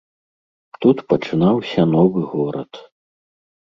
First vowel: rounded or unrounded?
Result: rounded